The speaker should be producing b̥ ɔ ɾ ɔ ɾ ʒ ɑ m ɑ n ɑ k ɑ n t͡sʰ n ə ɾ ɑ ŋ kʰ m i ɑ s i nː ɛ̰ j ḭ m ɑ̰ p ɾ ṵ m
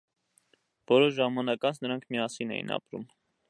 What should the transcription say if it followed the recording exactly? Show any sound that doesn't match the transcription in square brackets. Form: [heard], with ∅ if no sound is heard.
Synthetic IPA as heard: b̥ ɔ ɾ ɔ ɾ ʒ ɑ m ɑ n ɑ k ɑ n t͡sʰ n ə ɾ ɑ ŋ kʰ m i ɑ s i [n] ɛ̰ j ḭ [n] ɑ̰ p ɾ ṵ m